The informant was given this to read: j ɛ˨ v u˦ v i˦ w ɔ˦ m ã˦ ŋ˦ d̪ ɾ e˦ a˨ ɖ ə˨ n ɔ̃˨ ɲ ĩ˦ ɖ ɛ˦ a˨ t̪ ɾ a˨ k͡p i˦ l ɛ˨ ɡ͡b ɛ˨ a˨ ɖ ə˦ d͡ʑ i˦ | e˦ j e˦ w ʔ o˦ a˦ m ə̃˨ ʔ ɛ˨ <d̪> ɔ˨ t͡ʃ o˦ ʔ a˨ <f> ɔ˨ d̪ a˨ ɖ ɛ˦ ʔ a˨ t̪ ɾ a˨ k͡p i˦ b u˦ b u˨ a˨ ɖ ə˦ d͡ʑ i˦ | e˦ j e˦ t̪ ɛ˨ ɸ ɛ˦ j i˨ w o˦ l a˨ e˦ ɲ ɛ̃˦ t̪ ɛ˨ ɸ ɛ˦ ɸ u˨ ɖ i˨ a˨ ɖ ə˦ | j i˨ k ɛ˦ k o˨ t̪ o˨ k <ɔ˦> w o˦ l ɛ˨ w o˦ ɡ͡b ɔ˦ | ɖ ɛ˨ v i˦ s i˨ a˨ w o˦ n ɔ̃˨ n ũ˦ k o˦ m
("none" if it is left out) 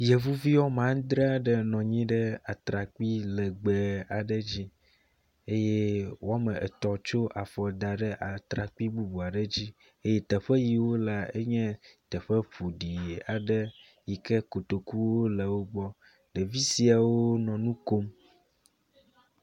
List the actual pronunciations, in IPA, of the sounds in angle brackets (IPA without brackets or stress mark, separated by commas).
t̪, f, u˦